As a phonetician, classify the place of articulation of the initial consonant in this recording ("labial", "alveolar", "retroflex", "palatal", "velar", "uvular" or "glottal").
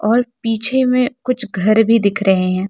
alveolar